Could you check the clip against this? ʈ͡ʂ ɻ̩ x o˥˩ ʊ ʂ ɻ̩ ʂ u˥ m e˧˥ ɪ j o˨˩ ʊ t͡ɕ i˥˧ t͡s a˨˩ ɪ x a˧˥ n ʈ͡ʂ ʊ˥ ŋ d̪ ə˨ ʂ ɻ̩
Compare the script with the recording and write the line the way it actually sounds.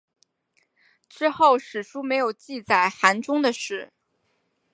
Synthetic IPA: ʈ͡ʂ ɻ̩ x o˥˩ ʊ ʂ ɻ̩ ʂ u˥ m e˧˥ ɪ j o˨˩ ʊ t͡ɕ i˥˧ t͡s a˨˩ ɪ x a˧˥ n ʈ͡ʂ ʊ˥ ŋ d̪ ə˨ ʂ ɻ̩